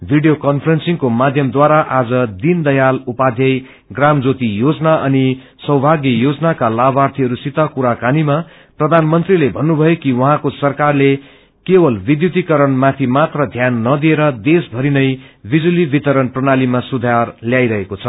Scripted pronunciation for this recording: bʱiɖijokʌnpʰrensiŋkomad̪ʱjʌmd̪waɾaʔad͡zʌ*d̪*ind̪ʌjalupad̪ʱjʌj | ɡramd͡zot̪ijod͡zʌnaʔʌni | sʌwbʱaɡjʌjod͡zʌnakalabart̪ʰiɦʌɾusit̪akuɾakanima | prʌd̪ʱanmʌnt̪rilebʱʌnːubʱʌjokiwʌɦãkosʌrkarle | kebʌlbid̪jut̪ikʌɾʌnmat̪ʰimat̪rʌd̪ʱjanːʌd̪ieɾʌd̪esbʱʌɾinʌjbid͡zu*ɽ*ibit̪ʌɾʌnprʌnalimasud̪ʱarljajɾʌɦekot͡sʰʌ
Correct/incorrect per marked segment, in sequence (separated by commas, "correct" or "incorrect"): correct, incorrect